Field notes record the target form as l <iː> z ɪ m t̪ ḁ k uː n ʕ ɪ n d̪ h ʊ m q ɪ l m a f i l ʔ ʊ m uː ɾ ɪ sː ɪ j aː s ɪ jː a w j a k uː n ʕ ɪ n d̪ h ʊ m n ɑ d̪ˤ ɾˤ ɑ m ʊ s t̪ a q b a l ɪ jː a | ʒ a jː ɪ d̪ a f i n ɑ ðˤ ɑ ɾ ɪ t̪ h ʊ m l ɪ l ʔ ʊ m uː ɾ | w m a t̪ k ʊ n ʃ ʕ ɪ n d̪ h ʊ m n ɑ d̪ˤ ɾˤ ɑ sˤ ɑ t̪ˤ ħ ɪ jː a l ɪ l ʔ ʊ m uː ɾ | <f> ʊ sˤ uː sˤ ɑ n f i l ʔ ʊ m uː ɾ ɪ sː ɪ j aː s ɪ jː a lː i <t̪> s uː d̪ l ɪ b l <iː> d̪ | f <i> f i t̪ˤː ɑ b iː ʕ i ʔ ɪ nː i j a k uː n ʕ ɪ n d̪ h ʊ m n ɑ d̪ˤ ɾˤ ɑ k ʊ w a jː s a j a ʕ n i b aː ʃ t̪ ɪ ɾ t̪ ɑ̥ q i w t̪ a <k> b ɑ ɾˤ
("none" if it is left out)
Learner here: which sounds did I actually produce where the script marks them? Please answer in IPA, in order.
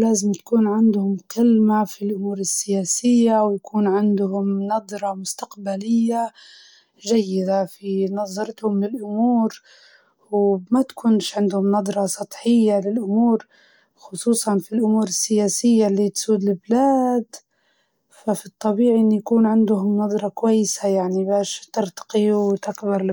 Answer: aː, x, t̪, aː, a, k

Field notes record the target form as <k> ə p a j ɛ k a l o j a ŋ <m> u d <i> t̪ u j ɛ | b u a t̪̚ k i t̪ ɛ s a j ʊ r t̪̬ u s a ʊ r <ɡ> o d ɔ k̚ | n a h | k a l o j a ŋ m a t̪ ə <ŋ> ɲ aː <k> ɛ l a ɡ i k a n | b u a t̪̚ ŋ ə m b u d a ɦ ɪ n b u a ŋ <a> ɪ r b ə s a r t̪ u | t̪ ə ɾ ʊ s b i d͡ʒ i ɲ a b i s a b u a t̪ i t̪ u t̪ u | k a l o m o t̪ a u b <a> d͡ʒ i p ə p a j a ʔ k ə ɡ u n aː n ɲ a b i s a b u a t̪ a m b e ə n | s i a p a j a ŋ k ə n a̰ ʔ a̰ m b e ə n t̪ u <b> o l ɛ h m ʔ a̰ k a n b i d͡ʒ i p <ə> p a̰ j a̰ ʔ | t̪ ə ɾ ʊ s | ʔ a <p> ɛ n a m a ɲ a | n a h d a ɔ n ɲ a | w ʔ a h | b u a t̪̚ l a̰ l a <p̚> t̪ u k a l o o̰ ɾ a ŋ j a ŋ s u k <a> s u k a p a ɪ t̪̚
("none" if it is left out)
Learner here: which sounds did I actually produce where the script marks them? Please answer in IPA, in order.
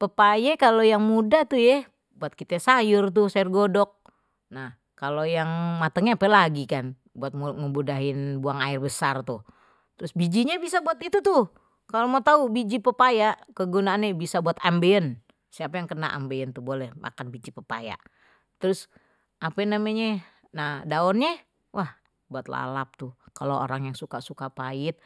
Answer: p, m, a, ɡ, ŋ, p, a, i, b, ə, p, p̚, a

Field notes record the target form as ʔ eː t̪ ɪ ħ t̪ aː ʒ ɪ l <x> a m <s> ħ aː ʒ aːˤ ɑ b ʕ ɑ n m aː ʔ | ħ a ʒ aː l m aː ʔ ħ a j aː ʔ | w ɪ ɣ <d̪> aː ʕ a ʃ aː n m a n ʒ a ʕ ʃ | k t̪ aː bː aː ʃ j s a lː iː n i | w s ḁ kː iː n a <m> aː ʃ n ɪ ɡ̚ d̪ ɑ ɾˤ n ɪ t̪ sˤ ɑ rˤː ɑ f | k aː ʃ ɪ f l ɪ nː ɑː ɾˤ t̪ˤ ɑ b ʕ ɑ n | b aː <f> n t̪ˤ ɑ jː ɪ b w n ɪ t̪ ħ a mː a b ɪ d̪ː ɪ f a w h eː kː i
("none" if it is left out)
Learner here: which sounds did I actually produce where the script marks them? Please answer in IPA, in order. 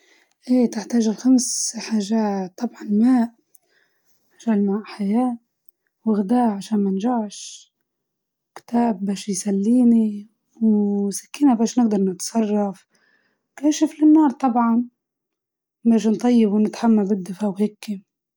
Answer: x, s, d̪, b, ʃ

